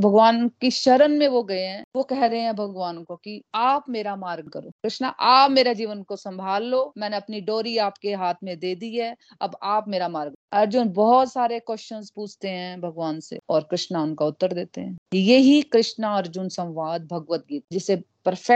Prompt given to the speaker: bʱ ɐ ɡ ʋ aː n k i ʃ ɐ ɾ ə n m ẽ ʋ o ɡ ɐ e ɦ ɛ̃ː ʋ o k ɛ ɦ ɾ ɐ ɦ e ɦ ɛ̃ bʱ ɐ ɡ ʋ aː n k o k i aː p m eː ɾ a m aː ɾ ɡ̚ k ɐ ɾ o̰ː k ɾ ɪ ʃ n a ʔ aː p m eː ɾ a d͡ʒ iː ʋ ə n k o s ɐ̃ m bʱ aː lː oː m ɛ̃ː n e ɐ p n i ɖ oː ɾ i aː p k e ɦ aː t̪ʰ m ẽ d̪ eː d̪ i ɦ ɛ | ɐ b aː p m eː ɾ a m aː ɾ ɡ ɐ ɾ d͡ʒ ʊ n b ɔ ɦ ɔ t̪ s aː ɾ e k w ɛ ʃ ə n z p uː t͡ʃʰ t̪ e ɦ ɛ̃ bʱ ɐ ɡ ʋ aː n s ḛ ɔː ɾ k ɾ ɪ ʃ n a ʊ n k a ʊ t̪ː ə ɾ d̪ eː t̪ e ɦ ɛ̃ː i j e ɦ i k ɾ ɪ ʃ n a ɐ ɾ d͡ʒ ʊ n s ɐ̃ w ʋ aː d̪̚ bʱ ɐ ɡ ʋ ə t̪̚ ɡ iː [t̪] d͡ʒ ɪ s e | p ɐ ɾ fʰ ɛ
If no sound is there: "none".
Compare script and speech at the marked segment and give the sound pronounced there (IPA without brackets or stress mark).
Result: t̪